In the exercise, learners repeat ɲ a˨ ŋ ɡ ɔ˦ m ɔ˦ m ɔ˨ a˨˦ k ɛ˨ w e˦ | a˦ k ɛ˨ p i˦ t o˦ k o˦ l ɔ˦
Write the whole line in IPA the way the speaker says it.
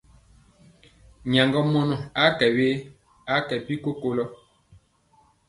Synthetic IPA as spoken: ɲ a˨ ŋ ɡ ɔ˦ m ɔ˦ n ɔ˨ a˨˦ k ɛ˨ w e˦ | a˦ k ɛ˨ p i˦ k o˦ k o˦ l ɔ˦